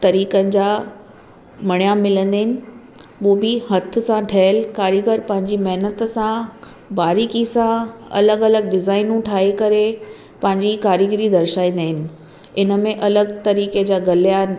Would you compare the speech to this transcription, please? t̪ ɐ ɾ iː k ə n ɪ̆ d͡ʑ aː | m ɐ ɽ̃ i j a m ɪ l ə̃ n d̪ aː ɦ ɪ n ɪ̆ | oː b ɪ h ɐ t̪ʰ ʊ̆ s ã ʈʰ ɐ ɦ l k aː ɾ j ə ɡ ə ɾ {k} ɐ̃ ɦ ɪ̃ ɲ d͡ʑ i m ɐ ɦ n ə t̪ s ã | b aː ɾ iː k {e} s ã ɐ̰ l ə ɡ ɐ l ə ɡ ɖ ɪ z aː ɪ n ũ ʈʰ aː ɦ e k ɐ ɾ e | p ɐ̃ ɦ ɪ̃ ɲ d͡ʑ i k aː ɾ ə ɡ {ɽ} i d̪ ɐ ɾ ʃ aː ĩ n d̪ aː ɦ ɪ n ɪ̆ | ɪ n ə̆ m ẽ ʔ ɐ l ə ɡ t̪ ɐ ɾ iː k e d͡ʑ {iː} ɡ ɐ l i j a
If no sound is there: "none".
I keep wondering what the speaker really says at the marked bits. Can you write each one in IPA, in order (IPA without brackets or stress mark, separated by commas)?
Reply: p, i, ɾ, aː